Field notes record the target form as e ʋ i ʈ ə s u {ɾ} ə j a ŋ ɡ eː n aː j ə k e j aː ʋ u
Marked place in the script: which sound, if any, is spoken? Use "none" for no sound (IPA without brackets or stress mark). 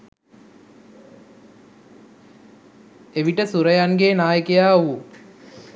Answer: ɾ